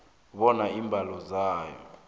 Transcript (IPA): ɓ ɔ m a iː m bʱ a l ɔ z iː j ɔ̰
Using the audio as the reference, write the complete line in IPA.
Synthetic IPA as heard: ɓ ɔ n a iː m bʱ a l ɔ z aː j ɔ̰